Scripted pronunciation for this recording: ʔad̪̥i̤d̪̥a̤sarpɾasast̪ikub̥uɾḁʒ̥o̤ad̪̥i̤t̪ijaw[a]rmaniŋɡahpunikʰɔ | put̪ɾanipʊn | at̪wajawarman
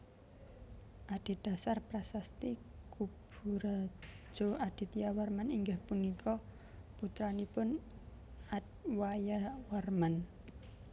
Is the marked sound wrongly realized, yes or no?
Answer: no